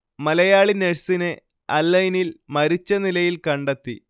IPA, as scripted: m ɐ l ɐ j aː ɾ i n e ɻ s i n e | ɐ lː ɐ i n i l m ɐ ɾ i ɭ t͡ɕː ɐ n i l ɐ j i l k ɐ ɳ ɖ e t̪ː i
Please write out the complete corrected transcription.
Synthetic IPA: m ɐ l ɐ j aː ɭ i n e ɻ s i n e | ɐ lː ɐ j n i l m ɐ ɾ i t͡ɕː ɐ n i l ɐ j i l k ɐ ɳ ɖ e t̪ː i